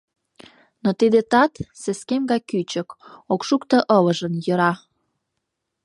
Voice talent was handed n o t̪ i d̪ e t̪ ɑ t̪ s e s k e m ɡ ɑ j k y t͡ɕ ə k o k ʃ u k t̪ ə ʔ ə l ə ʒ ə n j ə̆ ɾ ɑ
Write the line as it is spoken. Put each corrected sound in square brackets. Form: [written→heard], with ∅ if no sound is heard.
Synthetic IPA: n o t̪ i d̪ e t̪ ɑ t̪ s e s k e m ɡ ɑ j k y t͡ɕ ə k o k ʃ u k t̪ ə ʔ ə l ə ʒ ə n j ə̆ ɾ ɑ